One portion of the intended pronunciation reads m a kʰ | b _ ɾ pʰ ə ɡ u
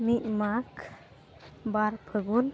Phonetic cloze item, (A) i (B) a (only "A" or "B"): B